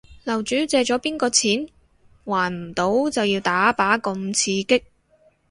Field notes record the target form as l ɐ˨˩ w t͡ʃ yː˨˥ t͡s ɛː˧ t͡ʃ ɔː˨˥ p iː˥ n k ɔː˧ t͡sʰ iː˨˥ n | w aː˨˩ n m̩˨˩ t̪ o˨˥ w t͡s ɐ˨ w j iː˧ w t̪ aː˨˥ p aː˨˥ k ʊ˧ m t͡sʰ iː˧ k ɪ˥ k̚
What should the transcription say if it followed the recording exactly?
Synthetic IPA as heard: l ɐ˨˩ w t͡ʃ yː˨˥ t͡s ɛː˧ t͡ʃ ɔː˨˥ p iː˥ n k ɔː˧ t͡sʰ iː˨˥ n | w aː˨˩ n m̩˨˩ t̪ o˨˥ w t͡s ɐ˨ w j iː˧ w t̪ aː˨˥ p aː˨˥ k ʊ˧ m t͡sʰ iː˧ k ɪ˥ k̚